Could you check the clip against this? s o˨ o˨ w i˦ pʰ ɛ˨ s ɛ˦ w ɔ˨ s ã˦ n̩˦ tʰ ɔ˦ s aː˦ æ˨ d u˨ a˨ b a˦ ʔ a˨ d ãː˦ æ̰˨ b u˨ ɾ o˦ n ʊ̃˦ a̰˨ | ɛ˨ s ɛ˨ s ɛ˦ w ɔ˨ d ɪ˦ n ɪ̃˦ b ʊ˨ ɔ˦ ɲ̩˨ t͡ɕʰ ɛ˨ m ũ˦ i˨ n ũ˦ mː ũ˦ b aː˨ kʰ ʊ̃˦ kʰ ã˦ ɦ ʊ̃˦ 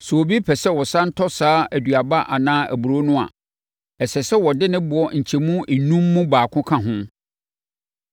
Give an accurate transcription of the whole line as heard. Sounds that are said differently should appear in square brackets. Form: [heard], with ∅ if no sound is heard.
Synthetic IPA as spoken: s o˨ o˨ [b] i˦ pʰ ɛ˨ s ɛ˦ w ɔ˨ s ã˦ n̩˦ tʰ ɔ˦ s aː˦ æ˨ d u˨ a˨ b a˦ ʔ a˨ [n] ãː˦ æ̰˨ b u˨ ɾ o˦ n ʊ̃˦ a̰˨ | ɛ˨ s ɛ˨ s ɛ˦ w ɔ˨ d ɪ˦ n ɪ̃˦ b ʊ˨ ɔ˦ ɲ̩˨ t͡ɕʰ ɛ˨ m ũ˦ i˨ n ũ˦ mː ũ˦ b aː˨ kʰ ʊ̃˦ kʰ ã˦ ɦ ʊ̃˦

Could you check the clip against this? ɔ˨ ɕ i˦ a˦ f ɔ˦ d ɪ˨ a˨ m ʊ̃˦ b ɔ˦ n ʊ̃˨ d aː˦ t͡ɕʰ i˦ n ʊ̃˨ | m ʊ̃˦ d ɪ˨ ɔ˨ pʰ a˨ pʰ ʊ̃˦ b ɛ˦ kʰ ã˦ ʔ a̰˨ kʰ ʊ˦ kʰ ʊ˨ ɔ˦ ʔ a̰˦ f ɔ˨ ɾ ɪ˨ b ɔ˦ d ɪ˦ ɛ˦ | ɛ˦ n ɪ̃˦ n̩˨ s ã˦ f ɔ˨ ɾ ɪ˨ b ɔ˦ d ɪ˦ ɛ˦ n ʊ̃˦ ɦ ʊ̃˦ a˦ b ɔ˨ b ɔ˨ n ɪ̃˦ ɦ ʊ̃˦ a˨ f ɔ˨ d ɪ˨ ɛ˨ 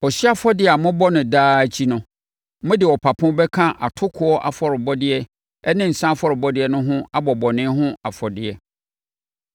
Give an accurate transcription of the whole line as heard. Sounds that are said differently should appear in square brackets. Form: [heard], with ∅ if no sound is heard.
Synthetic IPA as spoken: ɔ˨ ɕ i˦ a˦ f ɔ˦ d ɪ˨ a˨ m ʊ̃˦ b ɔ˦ n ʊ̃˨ d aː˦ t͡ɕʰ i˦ n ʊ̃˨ | m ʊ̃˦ d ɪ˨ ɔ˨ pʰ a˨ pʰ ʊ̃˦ b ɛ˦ kʰ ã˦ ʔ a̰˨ [tʰ] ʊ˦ kʰ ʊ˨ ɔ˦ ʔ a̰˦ f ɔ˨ ɾ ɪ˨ b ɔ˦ d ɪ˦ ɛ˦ | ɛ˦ n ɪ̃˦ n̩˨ s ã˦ f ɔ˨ ɾ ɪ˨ b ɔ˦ d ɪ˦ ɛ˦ n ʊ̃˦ ɦ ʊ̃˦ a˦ b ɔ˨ b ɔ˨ n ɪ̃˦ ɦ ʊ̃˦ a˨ f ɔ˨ d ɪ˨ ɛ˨

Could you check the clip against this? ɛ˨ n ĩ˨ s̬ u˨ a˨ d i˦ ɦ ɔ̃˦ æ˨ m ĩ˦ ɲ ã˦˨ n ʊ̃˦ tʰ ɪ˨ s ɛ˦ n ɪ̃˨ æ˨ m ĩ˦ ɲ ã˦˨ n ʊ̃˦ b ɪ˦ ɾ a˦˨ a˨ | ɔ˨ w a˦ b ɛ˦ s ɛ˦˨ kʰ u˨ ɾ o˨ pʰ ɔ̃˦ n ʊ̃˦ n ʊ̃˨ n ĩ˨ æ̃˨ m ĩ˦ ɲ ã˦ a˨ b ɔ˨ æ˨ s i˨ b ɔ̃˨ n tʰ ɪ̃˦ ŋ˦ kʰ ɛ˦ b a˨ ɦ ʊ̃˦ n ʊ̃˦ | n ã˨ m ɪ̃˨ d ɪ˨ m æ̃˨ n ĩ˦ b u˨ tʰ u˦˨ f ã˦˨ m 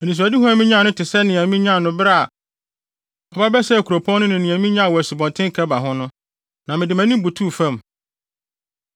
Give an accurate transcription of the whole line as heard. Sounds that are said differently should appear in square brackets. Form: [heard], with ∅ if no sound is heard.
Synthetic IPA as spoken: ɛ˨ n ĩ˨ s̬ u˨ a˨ d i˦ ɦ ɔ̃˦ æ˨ m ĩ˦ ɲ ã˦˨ n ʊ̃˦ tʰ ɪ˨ s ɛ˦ n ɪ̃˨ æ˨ m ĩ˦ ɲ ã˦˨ n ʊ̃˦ b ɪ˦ ɾ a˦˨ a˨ | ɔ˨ [b] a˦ b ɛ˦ s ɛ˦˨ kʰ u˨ ɾ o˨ pʰ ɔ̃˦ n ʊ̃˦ n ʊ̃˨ n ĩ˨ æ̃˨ m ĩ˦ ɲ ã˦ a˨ [w] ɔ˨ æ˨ s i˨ b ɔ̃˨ n tʰ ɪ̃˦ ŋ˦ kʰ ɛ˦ b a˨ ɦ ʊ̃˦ n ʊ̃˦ | n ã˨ m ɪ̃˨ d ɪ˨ m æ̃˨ n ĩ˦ b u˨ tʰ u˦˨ f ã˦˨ m

